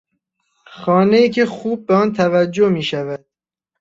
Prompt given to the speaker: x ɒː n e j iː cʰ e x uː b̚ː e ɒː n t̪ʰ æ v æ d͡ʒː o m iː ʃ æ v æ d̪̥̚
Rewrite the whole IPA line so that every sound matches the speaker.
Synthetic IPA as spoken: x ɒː n e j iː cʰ e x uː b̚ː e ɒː n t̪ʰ æ v æ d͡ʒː o m iː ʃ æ v æ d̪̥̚